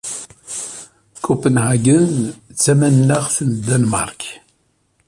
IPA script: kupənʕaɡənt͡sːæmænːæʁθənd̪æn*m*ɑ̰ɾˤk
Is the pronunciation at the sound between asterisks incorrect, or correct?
correct